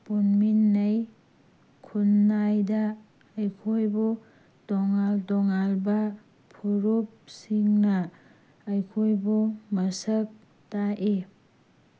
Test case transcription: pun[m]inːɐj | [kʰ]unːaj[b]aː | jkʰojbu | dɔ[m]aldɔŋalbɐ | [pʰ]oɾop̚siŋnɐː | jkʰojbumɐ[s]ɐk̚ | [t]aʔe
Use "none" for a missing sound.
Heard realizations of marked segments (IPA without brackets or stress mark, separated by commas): m, kʰ, d, ŋ, pʰ, s, t